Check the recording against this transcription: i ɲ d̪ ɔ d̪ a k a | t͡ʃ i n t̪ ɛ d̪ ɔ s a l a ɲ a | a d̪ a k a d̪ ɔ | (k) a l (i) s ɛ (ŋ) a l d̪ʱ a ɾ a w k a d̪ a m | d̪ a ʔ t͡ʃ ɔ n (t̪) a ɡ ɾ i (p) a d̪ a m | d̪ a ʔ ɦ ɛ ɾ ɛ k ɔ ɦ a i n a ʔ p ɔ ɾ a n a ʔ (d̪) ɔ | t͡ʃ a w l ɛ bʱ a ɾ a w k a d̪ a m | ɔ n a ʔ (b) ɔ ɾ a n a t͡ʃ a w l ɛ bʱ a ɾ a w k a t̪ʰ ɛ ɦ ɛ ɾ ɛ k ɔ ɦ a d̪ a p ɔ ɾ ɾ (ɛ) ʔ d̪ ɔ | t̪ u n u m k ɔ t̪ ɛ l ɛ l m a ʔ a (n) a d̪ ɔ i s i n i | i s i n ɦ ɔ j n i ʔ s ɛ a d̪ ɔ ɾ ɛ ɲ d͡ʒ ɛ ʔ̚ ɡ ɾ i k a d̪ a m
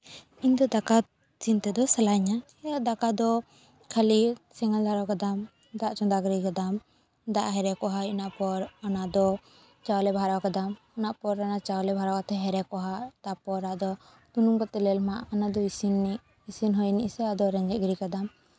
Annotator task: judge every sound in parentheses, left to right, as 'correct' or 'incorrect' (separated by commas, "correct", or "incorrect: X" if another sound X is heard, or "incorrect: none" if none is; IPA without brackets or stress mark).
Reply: incorrect: kʰ, correct, correct, incorrect: d̪, incorrect: k, correct, incorrect: p, incorrect: a, correct